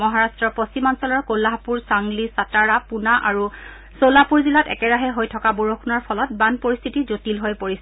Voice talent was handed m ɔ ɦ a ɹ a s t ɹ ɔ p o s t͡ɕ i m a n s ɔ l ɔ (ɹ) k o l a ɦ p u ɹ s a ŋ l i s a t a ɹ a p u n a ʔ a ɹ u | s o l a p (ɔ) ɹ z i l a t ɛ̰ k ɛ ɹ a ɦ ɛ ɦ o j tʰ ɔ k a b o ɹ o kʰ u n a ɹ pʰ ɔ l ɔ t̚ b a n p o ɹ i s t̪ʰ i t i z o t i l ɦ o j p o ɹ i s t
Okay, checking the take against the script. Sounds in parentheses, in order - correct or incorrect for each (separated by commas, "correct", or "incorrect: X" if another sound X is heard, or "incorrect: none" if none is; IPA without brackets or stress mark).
correct, incorrect: u